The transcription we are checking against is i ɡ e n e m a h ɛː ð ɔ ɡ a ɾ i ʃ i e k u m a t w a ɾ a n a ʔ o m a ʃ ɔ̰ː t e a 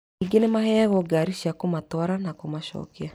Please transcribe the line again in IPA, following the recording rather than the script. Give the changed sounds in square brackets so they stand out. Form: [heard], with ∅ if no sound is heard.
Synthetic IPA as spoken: i ɡ e n e m a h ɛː [ɣ] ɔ ɡ a ɾ i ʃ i [a] k [o] m a t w a ɾ a n a [k] o m a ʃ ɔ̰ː [k] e a

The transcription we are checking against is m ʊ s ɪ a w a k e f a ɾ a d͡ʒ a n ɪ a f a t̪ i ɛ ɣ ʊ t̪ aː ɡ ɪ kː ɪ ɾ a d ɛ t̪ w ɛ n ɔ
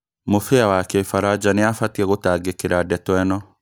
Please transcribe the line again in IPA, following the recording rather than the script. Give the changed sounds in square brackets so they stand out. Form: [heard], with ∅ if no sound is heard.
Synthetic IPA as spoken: m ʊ [f] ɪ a w a k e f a ɾ a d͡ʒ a n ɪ a f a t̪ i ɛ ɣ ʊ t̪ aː ɡ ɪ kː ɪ ɾ a d ɛ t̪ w ɛ n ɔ

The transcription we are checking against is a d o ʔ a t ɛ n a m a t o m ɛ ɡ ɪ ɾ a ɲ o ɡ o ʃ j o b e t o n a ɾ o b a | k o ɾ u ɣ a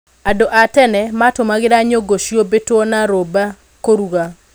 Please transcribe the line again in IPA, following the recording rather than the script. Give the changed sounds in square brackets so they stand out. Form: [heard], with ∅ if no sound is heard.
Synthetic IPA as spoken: a d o ʔ a t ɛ n [ɛ] m a t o m [a] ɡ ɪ ɾ a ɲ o ɡ o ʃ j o b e t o n a ɾ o b a | k o ɾ u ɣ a

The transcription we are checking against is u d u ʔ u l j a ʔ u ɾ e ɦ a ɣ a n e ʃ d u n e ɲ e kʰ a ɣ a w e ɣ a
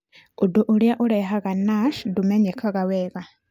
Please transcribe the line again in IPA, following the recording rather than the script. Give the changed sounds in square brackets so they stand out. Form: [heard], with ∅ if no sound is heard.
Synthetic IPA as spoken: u d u ʔ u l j a ʔ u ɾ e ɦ a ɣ a n [a] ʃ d u [m] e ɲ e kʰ a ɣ a w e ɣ a

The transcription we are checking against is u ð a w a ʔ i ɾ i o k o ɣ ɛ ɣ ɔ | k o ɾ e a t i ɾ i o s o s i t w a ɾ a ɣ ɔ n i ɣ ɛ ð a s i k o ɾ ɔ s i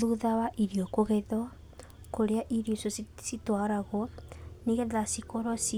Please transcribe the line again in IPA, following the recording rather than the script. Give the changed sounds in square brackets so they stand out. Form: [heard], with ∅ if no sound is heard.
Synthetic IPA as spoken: u ð a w a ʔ i ɾ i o k o ɣ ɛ [ð] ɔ | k o ɾ e a [ʔ] i ɾ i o s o s i t w a ɾ a ɣ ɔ n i ɣ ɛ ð a s i k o ɾ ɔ s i

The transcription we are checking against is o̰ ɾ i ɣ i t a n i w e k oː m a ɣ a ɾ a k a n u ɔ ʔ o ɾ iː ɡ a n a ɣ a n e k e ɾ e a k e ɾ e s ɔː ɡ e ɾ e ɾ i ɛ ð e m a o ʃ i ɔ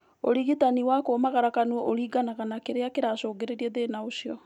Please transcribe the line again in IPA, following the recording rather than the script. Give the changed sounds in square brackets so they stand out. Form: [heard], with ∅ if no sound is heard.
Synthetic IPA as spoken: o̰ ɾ i ɣ i t a n i w [a] k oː m a ɣ a ɾ a k a n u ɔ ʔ o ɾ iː ɡ a n a ɣ a n [a] k e ɾ e a k e ɾ [a] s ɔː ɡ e ɾ e ɾ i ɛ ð e [n] a o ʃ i ɔ

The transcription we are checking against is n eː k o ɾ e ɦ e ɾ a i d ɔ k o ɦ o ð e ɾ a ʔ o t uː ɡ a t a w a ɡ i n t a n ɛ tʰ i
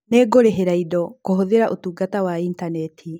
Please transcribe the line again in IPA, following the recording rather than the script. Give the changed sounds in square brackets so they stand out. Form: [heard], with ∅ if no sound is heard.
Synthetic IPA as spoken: n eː [ɡ] o ɾ e ɦ e ɾ a i d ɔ k o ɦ o ð e ɾ a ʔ o t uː ɡ a t a w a [∅] i n t a n ɛ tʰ i

